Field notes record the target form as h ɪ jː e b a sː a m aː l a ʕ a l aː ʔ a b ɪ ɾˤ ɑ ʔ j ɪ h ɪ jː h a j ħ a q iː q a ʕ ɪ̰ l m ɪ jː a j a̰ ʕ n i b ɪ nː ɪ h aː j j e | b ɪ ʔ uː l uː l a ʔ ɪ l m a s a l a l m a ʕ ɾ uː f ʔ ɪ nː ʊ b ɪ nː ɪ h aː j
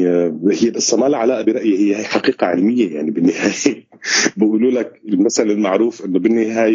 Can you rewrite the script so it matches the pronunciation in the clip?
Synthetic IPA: h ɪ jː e b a sː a m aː l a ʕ a l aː ʔ a b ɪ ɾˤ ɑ ʔ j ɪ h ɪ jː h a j ħ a q iː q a ʕ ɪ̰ l m ɪ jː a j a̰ ʕ n i b ɪ nː ɪ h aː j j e | b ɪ ʔ uː l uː l a k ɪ l m a s a l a l m a ʕ ɾ uː f ʔ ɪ nː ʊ b ɪ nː ɪ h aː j